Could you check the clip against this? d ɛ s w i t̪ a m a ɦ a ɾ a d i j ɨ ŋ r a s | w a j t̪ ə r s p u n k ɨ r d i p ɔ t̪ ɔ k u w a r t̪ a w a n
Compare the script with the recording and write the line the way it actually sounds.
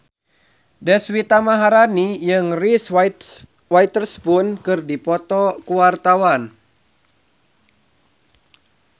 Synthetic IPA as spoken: d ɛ s w i t̪ a m a ɦ a ɾ a n i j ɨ ŋ r i s | w a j t̪ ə r s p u n k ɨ r d i p ɔ t̪ ɔ k u w a r t̪ a w a n